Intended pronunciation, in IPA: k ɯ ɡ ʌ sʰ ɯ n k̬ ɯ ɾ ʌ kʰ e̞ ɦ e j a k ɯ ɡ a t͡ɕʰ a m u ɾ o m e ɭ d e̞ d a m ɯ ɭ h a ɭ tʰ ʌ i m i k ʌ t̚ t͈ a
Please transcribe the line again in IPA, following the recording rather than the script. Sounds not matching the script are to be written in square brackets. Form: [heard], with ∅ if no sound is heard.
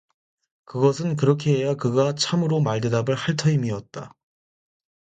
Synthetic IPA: k ɯ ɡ ʌ sʰ ɯ n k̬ ɯ ɾ ʌ kʰ e̞ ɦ e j a k ɯ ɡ a t͡ɕʰ a m [ɯ] ɾ o m [a] ɭ d e̞ d a [b] ɯ ɭ h a ɭ tʰ ʌ i m i [∅] ʌ t̚ t͈ a